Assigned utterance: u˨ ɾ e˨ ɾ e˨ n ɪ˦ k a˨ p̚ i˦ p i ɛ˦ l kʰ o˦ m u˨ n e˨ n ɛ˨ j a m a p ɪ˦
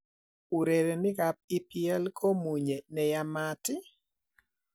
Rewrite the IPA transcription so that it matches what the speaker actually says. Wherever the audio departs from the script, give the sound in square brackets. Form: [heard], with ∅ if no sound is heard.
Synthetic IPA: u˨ ɾ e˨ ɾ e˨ n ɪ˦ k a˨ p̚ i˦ p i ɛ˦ l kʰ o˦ m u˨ [ɲ] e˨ n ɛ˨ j a m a [t] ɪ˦